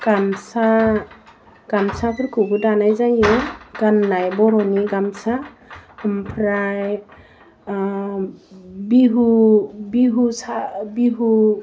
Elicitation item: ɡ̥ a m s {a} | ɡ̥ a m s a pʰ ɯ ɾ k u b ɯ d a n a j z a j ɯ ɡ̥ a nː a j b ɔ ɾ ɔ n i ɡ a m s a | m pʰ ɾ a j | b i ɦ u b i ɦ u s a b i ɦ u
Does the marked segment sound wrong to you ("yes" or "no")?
no